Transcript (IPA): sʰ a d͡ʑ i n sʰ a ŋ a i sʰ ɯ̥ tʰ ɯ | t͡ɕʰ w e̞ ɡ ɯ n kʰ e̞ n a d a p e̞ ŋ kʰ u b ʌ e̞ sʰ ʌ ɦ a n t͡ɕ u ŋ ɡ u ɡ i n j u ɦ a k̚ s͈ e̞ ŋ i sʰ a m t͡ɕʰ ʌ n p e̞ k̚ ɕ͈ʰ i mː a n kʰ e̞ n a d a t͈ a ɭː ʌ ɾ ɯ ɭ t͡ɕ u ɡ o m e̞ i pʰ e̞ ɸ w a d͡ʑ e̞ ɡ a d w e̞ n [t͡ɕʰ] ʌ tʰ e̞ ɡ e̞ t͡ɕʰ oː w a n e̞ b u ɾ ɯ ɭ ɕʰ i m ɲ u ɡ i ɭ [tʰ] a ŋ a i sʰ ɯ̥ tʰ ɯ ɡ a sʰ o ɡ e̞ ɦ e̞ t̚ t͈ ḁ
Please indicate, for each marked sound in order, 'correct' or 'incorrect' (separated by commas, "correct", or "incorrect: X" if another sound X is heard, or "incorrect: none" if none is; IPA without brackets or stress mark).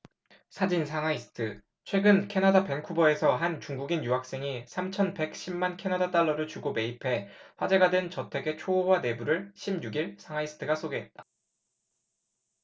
incorrect: t͡ɕ, incorrect: sʰ